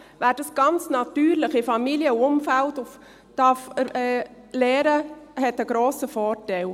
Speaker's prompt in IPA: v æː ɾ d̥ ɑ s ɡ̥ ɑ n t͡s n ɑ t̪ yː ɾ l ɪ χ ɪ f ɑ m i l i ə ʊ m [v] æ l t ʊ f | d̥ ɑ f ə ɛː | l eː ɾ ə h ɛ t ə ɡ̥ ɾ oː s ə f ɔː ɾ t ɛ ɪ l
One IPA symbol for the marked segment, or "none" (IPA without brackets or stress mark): f